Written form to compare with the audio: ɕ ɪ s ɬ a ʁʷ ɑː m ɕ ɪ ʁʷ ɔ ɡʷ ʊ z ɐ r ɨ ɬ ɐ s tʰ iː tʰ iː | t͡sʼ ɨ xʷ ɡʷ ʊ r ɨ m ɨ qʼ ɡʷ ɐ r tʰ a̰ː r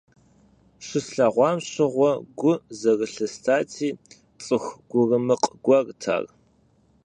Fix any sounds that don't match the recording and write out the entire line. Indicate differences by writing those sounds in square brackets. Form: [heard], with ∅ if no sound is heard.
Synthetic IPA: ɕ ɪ s ɬ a ʁʷ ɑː m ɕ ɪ ʁʷ ɔ ɡʷ ʊ z ɐ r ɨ ɬ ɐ s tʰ [aː] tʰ iː | t͡sʼ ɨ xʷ ɡʷ ʊ r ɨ m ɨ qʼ ɡʷ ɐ r tʰ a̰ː r